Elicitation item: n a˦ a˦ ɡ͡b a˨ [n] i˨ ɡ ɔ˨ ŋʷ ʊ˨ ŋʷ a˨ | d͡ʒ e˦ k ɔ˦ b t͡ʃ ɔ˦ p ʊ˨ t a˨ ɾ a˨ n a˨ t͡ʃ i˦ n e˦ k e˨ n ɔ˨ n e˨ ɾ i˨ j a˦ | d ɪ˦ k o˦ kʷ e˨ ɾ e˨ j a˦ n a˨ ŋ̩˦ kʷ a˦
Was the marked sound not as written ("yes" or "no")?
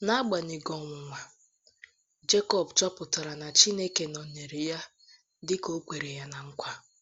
no